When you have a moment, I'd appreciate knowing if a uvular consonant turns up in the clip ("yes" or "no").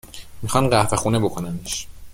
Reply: yes